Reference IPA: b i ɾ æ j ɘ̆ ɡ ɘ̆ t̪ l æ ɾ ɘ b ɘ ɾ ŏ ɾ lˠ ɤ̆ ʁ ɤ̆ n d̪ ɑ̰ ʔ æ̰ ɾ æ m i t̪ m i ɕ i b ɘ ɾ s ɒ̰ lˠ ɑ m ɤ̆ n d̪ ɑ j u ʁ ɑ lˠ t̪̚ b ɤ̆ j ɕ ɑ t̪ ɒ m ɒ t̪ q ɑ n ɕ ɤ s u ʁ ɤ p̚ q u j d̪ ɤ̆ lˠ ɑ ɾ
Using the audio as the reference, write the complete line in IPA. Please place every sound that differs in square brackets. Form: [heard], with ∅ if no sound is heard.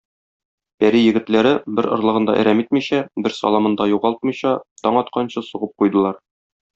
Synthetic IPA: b [æ] ɾ [i] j ɘ̆ ɡ ɘ̆ t̪ l æ ɾ ɘ b ɘ ɾ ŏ ɾ lˠ ɤ̆ ʁ ɤ̆ n d̪ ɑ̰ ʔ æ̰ ɾ æ m i t̪ m i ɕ [æ] b ɘ ɾ s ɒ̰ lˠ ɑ m ɤ̆ n d̪ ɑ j u ʁ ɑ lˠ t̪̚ [m] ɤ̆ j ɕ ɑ t̪ ɒ [ɴ] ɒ t̪ q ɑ n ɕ ɤ s u ʁ ɤ p̚ q u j d̪ ɤ̆ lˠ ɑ ɾ